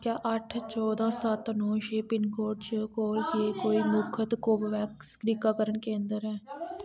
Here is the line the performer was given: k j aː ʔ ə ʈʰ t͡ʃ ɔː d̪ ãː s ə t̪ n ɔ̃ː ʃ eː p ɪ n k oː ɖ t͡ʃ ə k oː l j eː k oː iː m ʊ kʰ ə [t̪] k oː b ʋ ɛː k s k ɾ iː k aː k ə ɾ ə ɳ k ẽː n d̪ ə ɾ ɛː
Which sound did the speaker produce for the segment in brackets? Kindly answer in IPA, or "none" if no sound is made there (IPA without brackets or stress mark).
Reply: t̪